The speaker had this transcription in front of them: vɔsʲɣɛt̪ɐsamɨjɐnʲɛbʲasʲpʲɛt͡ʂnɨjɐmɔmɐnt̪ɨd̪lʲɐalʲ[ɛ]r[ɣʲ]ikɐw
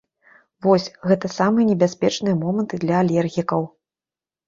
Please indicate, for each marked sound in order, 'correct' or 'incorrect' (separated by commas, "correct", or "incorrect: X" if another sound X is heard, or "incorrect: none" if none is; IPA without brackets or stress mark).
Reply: correct, correct